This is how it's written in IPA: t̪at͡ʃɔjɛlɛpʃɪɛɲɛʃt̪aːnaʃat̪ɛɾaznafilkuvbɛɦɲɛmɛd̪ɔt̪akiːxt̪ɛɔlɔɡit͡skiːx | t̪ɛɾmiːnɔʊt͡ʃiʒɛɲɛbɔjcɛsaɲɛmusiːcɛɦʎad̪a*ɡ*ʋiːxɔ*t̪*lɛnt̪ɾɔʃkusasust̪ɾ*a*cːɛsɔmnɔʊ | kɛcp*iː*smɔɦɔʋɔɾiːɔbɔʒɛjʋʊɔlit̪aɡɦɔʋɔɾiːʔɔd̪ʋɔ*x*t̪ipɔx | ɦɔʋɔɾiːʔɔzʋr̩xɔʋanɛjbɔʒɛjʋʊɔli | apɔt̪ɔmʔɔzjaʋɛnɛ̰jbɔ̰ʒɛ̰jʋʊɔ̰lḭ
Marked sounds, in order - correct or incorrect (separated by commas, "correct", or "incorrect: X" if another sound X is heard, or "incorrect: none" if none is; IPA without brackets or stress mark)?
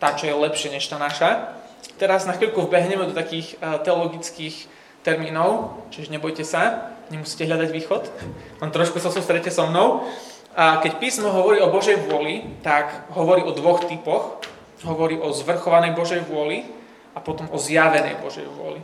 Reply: incorrect: ɟ, correct, incorrect: ɛ, correct, correct